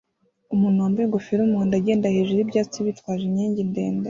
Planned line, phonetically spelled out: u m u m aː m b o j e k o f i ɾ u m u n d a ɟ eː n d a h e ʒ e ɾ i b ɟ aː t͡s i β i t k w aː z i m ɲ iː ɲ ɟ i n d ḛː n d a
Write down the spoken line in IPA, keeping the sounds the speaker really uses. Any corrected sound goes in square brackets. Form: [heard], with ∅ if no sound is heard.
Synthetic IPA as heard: u m u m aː m b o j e [ɡ] o f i ɾ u m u n d a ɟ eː n d a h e ʒ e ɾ i b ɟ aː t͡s i β i t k w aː [ʒ] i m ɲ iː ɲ ɟ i n d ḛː n d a